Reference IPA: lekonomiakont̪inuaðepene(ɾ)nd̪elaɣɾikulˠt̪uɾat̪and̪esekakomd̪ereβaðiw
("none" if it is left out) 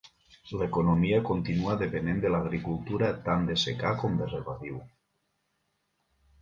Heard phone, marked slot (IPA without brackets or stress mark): none